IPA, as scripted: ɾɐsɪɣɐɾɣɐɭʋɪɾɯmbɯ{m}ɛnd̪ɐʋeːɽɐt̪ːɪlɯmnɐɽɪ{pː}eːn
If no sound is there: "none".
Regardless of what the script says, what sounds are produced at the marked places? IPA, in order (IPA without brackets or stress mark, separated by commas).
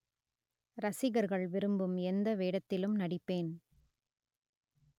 m, pː